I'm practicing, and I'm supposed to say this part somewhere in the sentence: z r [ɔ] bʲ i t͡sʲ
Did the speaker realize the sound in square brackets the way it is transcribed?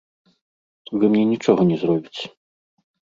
yes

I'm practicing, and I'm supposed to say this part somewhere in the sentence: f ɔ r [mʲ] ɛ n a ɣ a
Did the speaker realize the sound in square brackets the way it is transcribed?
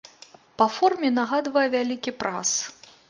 yes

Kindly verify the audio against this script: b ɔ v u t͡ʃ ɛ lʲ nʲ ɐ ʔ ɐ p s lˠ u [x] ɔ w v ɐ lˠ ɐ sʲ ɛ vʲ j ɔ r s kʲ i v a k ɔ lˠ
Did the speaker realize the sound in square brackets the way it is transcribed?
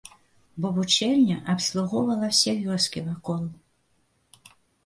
no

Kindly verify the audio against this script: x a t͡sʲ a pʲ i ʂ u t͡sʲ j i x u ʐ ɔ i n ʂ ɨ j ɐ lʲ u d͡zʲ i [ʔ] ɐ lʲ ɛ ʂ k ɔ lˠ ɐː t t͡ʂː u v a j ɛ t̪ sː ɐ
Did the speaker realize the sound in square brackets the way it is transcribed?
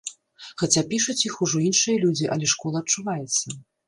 yes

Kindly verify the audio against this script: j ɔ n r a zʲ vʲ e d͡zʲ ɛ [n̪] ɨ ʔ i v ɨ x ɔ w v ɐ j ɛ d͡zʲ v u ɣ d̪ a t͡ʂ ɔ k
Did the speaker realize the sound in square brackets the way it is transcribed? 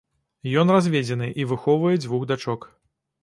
yes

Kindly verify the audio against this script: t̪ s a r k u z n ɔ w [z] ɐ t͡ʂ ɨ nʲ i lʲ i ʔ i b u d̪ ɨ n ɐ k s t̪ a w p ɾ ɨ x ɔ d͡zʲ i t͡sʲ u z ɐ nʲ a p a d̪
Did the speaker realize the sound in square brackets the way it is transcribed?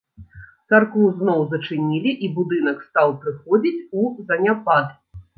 yes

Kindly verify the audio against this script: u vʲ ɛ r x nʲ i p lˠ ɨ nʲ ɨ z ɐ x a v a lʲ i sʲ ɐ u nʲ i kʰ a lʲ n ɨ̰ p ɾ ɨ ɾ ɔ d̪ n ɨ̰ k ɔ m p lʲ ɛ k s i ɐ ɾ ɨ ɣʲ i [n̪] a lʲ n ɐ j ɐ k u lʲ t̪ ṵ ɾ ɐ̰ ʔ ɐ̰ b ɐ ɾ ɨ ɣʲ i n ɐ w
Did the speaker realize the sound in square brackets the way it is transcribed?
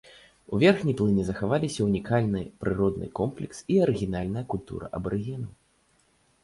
yes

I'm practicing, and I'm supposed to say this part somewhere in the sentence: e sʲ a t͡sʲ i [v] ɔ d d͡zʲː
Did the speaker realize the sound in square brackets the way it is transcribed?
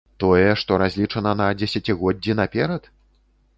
no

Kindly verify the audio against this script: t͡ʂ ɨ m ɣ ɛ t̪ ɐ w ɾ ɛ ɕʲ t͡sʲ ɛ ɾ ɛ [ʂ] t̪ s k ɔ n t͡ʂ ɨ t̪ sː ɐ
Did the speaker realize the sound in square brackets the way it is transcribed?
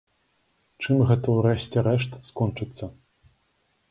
yes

